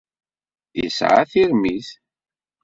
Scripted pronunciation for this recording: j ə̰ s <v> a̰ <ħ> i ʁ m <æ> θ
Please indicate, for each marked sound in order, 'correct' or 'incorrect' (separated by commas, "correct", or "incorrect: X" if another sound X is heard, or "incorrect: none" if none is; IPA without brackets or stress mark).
incorrect: ʕ, incorrect: θ, incorrect: i